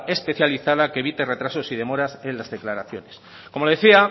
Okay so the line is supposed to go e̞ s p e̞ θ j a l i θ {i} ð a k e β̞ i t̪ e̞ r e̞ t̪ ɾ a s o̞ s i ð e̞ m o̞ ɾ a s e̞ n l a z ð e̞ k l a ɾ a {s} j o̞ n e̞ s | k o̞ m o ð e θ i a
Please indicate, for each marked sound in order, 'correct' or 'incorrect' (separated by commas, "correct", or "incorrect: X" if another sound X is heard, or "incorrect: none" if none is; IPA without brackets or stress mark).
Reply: incorrect: a, incorrect: θ